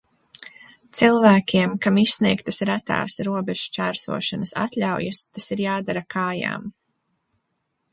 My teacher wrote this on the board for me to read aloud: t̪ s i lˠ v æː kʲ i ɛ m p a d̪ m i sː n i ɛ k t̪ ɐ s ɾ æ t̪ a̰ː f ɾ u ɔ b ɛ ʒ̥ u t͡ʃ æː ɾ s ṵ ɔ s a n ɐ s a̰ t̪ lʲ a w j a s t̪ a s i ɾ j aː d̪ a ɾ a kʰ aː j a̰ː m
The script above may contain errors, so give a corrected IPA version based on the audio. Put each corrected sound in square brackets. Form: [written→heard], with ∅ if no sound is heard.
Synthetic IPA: t̪ s i lˠ v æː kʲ i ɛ m [p→k] a [d̪→∅] m i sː n i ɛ k t̪ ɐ s ɾ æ t̪ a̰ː [f→s] ɾ u ɔ b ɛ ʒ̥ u t͡ʃ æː ɾ s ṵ ɔ [s→ʃ] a n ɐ s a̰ t̪ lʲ a w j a s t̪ a s i ɾ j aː d̪ a ɾ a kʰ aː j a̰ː m